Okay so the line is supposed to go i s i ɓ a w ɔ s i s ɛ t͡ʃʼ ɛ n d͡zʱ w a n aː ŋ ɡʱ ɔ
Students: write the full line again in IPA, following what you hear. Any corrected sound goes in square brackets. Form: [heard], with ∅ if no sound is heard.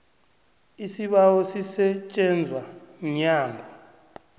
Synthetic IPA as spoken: i s i ɓ a w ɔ s i s ɛ t͡ʃʼ ɛ n d͡zʱ w a [ɲ] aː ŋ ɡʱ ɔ

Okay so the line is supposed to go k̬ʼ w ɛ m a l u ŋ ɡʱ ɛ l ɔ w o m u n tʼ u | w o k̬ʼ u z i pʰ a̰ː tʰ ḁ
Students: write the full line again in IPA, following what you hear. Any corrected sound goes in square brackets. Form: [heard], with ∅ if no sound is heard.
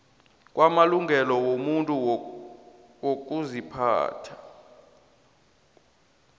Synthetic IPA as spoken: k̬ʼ w [a] m a l u ŋ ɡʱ ɛ l ɔ w o m u n tʼ u | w o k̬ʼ u z i pʰ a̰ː tʰ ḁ

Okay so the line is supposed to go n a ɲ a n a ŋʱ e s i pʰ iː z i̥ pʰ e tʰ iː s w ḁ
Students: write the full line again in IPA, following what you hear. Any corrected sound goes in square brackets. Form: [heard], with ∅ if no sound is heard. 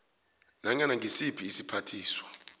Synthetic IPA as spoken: n a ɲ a n a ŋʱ [i] s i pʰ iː [s] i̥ pʰ [a] tʰ iː s w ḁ

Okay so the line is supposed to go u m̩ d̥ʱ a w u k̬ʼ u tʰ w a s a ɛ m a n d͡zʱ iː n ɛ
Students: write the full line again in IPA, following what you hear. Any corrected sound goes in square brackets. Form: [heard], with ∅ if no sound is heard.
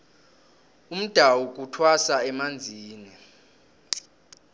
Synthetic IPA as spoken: u m̩ d̥ʱ a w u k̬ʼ u tʰ w a s a ɛ m a n d͡zʱ iː n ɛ

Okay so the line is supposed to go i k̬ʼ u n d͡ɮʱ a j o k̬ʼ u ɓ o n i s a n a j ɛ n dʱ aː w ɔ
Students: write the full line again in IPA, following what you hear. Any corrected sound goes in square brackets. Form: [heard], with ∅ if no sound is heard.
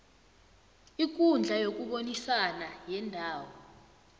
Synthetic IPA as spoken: i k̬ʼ u n d͡ɮʱ a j o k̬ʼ u ɓ o n i s a n a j ɛ n dʱ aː w ɔ

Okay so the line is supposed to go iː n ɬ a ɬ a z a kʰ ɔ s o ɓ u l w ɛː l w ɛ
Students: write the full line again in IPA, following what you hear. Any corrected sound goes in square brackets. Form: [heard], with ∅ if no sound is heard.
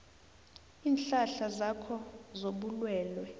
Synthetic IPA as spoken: iː n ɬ a ɬ a z a kʰ ɔ [z] o ɓ u l w ɛː l w ɛ

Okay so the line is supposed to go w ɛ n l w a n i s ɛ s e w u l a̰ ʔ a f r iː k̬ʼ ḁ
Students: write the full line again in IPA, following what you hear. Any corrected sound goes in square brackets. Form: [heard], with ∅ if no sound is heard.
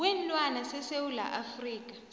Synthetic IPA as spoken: w ɛ n l w a n [a] s ɛ s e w u l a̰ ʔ a f r iː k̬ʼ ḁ

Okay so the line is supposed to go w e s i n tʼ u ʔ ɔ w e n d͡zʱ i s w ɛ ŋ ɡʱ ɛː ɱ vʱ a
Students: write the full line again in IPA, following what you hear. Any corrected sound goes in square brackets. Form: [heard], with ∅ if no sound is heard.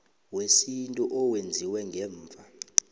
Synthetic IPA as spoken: w e s i n tʼ u ʔ ɔ w e n d͡zʱ i [∅] w ɛ ŋ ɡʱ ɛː ɱ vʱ a

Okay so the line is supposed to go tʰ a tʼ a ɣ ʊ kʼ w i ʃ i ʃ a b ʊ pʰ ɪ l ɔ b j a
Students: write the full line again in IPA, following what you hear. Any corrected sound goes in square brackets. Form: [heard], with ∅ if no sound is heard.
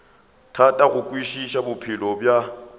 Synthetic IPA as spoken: tʰ a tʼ a ɣ ʊ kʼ w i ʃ i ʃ a b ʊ pʰ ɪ l ɔ b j a

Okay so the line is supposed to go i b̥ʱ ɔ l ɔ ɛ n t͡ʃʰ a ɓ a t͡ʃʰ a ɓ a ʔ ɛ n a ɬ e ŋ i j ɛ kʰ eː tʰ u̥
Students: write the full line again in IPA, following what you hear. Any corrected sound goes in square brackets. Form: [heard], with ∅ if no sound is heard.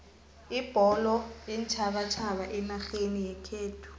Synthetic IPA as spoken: i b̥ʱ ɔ l ɔ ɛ n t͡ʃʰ a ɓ a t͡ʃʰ a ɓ a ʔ ɛ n a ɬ e [n] i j ɛ kʰ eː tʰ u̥

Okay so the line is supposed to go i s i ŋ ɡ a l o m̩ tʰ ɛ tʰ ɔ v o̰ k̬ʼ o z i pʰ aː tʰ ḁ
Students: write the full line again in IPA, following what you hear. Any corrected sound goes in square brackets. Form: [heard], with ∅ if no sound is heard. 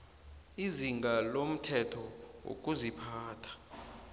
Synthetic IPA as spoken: i [z] i ŋ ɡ a l o m̩ tʰ ɛ tʰ ɔ [w] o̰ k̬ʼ [u] z i pʰ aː tʰ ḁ

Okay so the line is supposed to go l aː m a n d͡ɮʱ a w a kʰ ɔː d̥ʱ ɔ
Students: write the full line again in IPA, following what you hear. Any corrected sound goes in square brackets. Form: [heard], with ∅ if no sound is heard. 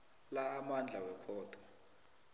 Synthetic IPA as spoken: l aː m a n d͡ɮʱ a w [ɛ] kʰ ɔː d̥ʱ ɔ

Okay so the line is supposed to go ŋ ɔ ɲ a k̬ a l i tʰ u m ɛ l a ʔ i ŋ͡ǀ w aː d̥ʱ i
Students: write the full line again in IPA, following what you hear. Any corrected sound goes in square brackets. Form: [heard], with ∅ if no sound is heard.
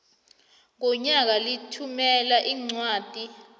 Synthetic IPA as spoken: ŋ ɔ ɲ a k̬ a l i tʰ u m ɛ l a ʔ i ŋ͡ǀ w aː d̥ʱ i

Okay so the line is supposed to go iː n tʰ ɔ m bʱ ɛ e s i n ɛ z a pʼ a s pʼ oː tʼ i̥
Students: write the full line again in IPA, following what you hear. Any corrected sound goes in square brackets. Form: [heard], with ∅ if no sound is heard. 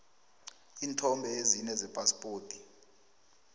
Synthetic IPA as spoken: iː n tʰ ɔ m bʱ ɛ e [z] i n ɛ z [ɛ] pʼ a s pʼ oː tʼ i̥

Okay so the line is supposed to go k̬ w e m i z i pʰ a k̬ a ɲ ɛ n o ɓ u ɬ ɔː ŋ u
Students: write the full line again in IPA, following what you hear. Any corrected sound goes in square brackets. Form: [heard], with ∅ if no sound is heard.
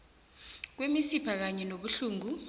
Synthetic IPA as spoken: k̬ w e m i [s] i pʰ a k̬ a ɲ ɛ n o ɓ u ɬ [uː] ŋ u

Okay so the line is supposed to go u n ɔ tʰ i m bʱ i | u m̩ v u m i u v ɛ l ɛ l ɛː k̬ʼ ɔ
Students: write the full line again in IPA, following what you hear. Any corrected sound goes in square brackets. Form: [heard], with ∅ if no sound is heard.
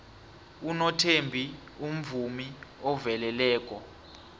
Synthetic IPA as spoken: u n ɔ tʰ [e] m bʱ i | u m̩ v u m i [ɔ] v ɛ l ɛ l ɛː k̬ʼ ɔ

